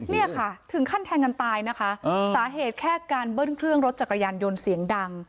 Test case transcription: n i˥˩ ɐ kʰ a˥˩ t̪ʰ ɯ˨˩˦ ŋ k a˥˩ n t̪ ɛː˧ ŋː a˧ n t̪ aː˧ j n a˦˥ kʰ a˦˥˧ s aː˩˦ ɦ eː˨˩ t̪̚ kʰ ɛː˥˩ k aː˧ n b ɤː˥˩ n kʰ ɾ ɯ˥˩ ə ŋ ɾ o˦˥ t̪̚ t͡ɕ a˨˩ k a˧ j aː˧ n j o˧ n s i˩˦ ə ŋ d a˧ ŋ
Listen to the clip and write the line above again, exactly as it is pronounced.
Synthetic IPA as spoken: n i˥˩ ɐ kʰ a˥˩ t̪ʰ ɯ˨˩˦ ŋ kʰ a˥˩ n t̪ʰ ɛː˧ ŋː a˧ n t̪ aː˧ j n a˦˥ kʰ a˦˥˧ s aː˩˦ ɦ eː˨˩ t̪̚ kʰ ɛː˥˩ k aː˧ n b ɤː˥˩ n kʰ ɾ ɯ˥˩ ə ŋ ɾ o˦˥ t̪̚ t͡ɕ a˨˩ k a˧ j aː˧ n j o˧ n s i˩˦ ə ŋ d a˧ ŋ